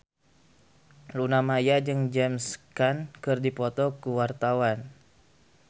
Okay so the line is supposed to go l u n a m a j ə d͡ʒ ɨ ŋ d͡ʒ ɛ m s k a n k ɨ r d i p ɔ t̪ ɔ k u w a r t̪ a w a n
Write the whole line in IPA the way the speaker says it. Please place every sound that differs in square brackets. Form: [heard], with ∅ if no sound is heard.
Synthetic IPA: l u n a m a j [a] d͡ʒ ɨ ŋ d͡ʒ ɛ m s k a n k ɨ r d i p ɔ t̪ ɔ k u w a r t̪ a w a n